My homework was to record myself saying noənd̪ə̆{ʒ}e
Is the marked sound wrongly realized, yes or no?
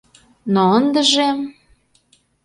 no